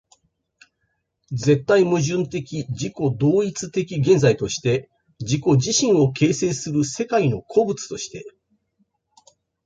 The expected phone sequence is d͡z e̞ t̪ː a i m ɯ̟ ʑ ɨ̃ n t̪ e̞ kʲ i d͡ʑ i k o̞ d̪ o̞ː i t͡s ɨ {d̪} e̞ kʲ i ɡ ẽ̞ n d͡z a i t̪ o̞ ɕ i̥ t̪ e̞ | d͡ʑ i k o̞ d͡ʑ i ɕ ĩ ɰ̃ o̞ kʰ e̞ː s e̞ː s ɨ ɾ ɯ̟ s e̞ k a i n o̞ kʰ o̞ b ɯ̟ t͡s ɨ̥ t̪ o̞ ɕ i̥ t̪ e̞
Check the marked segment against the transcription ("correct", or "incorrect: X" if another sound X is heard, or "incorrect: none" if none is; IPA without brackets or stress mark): incorrect: t̪